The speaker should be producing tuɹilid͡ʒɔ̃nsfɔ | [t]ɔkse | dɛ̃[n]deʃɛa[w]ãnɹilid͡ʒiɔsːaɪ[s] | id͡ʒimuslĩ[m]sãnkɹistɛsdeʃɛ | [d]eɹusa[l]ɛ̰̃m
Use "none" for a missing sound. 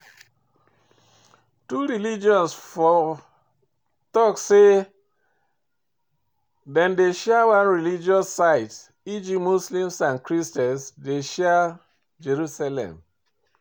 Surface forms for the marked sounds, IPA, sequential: t, n, w, t, m, d͡ʒ, l

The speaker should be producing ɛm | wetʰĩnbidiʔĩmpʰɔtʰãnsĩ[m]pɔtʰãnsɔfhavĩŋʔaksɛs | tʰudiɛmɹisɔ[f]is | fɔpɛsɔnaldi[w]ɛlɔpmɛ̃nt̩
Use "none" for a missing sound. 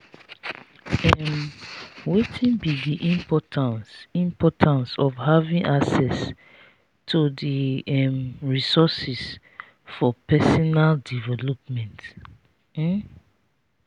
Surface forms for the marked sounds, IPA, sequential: m, s, v

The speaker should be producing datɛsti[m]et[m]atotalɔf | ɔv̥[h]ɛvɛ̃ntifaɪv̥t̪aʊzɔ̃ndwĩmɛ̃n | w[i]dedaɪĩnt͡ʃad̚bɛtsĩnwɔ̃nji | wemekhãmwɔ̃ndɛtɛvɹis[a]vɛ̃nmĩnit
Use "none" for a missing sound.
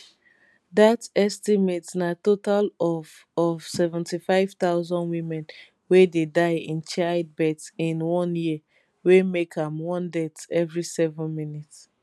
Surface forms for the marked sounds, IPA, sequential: m, n, s, e, ɛ

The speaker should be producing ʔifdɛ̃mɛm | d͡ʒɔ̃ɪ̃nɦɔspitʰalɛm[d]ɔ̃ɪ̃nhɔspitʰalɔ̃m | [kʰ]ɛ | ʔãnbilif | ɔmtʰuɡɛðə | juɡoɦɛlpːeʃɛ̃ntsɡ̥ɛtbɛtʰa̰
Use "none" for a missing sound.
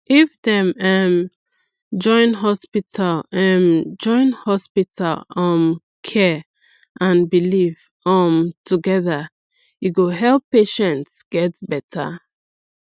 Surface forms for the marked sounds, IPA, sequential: d͡ʒ, kʰ

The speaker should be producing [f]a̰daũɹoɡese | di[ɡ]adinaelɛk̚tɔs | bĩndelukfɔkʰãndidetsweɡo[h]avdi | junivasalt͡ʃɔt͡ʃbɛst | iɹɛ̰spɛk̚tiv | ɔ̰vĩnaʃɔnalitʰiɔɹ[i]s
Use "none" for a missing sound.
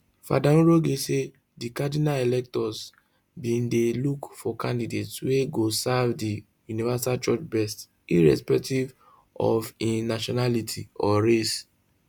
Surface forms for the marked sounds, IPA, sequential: f, k, s, e

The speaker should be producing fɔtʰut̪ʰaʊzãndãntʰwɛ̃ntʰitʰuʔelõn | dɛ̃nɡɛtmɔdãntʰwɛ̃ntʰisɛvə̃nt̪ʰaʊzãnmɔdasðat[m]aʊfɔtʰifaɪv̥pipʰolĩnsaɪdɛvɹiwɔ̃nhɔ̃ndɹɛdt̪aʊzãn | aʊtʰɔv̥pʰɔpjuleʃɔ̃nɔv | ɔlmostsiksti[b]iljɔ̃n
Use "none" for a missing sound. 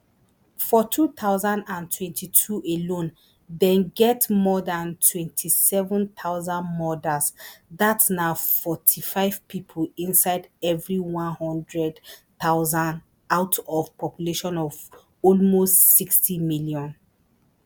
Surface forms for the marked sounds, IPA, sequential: n, m

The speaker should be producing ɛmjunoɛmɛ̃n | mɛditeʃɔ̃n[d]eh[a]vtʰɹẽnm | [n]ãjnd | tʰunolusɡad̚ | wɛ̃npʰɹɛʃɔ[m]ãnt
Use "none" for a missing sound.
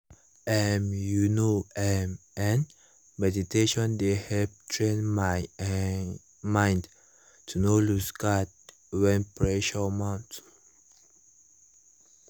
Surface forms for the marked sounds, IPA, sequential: d, ɛ, m, m

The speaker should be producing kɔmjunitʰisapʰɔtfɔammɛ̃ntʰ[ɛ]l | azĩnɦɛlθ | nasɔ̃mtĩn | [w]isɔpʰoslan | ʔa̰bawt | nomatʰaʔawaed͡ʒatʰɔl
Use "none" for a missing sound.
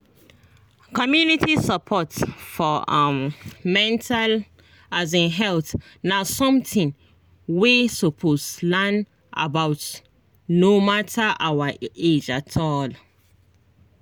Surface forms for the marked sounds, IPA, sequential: a, w

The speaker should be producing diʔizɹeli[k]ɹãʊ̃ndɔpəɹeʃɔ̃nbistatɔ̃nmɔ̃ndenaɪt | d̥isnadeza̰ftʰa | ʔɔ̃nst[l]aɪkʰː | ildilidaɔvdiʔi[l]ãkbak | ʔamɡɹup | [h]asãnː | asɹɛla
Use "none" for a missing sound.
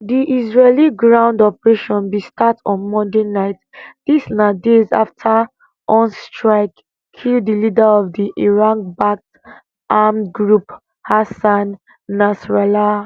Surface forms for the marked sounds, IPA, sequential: ɡ, ɹ, ɹ, h

